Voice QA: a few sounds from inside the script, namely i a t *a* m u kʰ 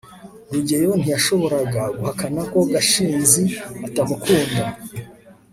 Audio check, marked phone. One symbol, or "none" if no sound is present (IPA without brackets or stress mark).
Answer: a